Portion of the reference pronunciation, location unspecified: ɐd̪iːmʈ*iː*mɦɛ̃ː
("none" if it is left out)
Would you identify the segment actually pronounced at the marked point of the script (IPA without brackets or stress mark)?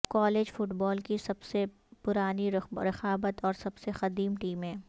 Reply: iː